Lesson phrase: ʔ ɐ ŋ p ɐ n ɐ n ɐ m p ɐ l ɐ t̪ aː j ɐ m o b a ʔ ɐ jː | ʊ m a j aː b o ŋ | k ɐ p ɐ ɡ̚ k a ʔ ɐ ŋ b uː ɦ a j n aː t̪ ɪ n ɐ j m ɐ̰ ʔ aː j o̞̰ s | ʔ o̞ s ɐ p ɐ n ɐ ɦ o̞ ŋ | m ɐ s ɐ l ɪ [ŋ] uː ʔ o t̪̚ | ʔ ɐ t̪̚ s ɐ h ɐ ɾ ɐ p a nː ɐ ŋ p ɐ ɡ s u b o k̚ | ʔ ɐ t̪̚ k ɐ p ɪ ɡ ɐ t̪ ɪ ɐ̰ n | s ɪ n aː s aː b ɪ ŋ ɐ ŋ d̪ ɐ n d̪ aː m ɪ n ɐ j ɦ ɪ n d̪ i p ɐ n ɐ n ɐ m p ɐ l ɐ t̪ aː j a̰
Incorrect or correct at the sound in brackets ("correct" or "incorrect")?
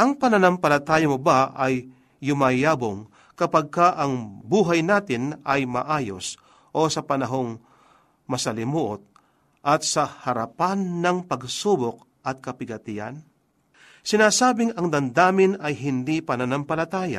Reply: incorrect